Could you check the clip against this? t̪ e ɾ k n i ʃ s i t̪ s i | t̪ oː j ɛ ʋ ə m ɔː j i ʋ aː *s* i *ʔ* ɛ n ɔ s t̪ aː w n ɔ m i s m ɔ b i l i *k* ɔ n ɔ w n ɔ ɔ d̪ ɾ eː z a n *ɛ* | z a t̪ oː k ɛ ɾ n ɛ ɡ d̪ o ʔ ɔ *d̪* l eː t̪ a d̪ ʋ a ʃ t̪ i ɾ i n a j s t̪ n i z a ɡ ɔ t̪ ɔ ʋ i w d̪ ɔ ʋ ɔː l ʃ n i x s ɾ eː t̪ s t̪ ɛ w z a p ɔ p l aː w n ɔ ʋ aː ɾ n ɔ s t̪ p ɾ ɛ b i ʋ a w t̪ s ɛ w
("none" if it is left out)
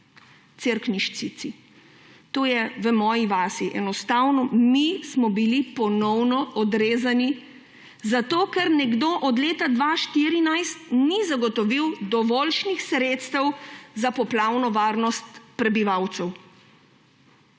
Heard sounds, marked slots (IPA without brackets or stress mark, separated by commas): s, ʔ, p, i, d̪